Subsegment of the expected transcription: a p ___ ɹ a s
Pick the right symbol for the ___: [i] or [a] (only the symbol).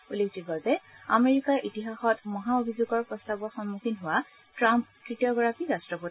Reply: i